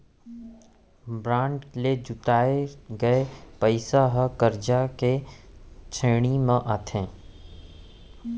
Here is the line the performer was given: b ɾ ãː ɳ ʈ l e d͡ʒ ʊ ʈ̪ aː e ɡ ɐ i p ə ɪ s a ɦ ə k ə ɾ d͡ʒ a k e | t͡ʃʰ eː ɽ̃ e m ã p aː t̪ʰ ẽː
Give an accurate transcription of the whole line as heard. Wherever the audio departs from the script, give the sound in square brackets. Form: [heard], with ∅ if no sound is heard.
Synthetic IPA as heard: b ɾ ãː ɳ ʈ l e d͡ʒ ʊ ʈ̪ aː e ɡ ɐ [e] p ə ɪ s a ɦ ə k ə ɾ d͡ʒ a k e | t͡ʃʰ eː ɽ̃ [i] m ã [ʔ] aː t̪ʰ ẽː